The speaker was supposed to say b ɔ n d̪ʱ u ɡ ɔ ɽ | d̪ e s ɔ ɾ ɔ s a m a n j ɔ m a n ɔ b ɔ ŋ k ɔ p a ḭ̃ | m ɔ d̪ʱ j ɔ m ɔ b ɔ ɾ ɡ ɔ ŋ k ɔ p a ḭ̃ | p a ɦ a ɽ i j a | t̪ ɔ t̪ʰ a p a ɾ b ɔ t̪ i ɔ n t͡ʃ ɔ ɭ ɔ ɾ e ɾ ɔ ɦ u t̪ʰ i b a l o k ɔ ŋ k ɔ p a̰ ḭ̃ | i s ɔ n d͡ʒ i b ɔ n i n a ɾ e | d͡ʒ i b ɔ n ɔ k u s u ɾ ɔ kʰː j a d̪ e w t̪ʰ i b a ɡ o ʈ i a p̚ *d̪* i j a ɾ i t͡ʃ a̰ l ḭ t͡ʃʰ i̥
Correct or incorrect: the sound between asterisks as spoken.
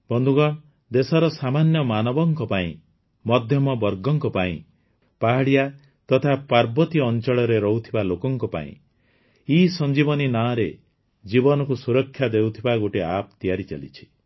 incorrect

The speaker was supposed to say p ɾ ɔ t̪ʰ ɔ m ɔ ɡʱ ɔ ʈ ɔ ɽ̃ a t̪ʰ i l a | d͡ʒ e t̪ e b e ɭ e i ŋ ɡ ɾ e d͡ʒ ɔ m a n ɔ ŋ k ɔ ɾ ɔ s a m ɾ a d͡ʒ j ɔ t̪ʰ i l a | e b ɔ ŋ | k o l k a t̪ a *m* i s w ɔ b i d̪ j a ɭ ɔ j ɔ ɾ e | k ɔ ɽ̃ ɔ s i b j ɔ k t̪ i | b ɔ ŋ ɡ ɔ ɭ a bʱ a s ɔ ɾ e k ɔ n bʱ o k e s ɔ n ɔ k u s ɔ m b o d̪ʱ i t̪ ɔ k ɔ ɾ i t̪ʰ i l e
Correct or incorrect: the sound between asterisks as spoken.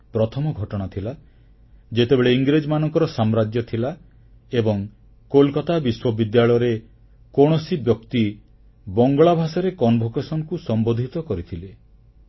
incorrect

